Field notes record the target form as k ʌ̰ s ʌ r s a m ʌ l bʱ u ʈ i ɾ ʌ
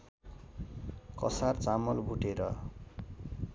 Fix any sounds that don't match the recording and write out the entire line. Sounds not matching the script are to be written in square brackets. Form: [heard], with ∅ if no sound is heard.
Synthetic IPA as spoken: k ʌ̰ s [a] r [t͡s] a m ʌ l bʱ u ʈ [e] ɾ ʌ